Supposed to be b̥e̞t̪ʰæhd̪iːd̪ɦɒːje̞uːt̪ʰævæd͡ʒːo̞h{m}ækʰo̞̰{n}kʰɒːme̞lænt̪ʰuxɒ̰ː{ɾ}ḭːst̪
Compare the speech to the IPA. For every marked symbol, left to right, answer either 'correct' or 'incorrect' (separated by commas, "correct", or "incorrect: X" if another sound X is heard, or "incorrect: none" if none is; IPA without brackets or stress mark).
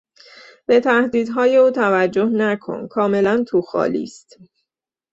incorrect: n, correct, incorrect: l